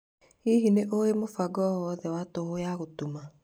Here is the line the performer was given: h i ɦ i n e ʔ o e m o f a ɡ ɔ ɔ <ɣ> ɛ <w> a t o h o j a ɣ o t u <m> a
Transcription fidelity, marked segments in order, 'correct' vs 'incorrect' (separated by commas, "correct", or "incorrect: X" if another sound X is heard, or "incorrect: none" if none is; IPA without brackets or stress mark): incorrect: ð, correct, correct